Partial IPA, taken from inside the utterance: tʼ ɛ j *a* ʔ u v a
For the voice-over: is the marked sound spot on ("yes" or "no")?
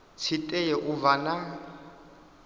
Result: no